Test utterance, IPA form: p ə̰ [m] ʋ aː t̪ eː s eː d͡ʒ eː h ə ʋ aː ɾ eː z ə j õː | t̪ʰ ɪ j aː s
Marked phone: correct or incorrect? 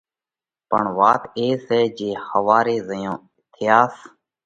incorrect